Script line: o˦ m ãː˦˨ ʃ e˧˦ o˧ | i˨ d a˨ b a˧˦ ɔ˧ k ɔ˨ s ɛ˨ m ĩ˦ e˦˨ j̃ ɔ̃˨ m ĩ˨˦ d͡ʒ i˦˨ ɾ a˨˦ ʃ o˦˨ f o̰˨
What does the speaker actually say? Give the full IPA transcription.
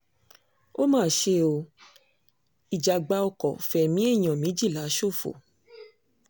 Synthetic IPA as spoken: o˦ m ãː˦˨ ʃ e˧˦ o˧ | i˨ d͡ʒ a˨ ɡ͡b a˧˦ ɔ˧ k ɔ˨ f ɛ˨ m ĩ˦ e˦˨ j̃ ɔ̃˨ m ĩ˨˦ d͡ʒ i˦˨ l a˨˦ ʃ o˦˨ f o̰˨